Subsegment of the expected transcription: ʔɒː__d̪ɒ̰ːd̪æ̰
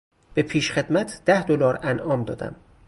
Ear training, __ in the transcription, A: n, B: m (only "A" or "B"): B